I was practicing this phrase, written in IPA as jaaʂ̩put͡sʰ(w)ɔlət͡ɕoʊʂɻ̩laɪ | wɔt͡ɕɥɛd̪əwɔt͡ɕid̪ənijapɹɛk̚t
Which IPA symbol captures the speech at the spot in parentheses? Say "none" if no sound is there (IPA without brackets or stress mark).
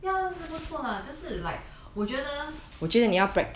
w